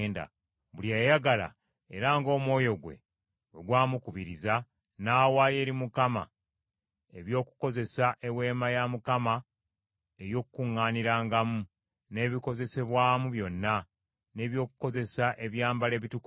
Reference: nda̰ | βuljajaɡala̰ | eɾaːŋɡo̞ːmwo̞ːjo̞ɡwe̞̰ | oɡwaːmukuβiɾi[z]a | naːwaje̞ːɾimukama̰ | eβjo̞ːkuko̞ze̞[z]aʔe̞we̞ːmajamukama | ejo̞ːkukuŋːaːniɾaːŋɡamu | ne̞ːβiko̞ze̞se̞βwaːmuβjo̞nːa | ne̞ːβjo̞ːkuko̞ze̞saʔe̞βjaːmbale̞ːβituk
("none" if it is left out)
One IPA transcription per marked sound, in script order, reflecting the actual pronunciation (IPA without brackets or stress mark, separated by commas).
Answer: z, s